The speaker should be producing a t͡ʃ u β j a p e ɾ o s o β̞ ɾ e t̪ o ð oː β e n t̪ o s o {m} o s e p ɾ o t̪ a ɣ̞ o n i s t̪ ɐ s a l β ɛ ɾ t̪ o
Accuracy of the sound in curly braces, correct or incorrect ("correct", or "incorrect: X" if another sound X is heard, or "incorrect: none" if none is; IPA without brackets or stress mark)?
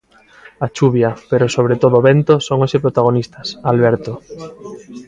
incorrect: ŋ